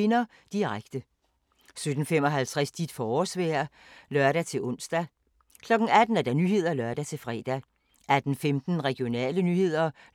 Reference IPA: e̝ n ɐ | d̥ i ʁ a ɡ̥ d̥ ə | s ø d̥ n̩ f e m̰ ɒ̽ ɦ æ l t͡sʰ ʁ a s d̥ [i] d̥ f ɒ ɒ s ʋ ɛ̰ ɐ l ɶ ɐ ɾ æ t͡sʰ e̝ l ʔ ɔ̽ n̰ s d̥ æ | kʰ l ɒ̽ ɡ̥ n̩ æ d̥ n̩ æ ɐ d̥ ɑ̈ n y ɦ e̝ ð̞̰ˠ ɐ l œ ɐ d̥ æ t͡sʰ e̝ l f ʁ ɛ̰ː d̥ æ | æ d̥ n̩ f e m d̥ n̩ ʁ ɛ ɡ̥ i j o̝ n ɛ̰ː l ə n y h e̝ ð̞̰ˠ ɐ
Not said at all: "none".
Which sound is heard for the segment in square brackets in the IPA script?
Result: i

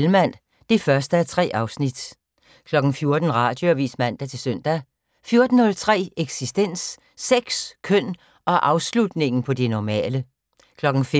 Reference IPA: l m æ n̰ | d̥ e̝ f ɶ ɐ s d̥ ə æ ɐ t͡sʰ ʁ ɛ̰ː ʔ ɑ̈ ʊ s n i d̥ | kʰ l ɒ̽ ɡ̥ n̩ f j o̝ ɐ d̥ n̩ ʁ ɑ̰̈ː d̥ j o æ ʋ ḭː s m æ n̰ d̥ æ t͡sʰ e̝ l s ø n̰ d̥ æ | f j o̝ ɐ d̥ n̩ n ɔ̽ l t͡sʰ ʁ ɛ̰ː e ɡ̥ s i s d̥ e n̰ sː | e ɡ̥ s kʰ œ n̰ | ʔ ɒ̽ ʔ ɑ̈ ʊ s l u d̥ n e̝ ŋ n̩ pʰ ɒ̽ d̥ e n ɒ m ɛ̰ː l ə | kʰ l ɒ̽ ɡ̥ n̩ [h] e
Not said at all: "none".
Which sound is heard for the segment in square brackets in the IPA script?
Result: f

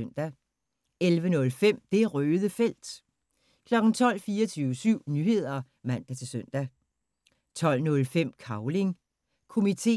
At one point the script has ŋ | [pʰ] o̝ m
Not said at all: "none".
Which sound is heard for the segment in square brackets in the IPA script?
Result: kʰ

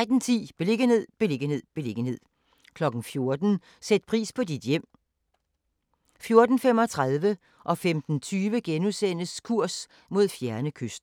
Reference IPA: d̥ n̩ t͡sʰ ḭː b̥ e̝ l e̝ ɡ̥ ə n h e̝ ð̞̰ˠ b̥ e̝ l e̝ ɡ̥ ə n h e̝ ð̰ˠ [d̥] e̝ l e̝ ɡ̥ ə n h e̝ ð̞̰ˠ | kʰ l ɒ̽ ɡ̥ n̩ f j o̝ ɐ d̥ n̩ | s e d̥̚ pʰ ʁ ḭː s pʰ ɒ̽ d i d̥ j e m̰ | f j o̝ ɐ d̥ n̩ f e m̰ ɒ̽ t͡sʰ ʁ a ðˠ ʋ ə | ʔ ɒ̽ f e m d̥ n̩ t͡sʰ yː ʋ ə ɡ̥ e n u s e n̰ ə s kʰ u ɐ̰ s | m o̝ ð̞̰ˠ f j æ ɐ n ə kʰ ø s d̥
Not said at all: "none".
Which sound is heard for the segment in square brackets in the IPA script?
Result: b̥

